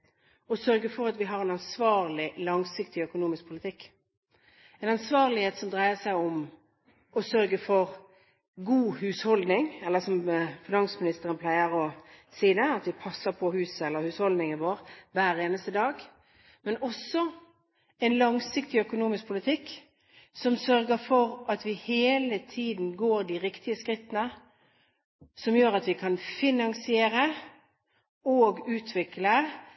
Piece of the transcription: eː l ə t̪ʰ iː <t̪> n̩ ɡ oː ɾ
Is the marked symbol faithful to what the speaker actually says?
no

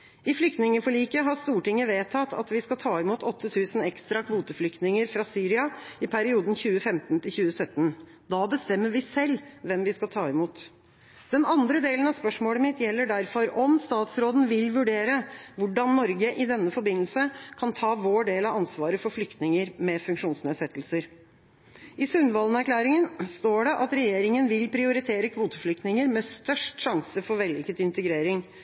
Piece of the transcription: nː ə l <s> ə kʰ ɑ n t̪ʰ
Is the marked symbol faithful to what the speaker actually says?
yes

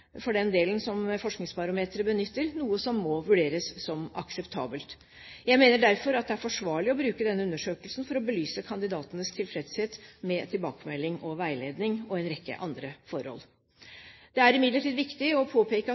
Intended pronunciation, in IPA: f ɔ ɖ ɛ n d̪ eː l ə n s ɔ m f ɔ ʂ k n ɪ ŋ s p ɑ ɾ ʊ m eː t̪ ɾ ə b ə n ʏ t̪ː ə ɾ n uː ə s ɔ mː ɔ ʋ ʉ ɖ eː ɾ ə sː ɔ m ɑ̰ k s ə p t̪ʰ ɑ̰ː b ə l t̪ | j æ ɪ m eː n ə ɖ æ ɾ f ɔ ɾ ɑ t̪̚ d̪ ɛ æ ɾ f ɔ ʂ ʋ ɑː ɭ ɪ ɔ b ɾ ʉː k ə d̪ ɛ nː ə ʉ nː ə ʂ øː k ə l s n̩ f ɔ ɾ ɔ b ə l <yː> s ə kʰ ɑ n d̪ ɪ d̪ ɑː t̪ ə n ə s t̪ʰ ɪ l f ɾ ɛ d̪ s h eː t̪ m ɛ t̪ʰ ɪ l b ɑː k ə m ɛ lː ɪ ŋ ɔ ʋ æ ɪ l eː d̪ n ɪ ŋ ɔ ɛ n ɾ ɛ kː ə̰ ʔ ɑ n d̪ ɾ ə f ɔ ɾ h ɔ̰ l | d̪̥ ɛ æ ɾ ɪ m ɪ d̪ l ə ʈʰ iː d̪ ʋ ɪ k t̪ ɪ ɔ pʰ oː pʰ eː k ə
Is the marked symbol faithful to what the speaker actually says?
yes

